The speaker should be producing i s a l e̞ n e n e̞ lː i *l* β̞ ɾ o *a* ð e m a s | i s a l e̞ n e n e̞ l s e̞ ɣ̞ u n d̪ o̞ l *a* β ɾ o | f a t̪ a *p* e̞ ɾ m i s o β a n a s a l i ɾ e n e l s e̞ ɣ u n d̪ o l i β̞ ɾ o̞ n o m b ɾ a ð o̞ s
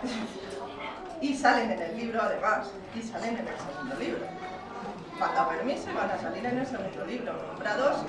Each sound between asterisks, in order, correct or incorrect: incorrect, correct, incorrect, correct

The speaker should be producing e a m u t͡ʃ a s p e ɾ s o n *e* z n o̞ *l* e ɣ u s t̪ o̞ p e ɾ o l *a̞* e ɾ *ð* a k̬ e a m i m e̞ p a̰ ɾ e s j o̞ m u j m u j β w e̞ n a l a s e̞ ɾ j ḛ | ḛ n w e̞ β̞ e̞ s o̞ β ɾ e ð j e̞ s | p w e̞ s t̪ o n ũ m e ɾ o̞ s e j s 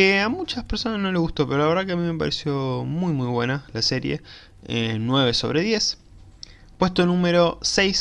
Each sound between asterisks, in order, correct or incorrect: incorrect, correct, correct, correct

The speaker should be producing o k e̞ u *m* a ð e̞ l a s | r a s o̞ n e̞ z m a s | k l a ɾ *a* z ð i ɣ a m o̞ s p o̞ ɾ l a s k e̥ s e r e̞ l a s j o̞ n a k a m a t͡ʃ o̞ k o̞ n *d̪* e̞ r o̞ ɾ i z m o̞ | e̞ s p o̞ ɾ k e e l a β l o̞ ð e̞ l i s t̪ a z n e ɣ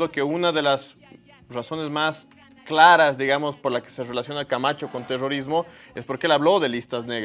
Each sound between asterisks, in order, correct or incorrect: incorrect, correct, incorrect

